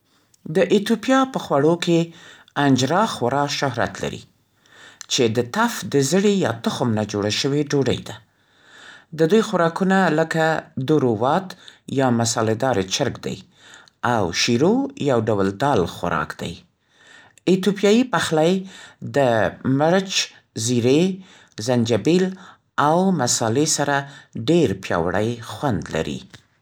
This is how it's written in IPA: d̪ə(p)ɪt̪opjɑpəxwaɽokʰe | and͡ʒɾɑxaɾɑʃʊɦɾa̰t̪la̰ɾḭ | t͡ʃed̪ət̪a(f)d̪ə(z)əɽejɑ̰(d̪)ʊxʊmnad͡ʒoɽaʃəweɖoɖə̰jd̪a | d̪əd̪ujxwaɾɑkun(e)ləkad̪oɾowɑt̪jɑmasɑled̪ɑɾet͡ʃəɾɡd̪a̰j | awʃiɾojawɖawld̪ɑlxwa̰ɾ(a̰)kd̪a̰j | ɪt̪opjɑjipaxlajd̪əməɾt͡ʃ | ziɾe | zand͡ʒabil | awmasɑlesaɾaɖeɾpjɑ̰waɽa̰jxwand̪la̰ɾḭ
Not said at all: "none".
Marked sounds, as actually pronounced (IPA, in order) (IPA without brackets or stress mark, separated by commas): ʔ, f, z, t̪, a, ɑ̰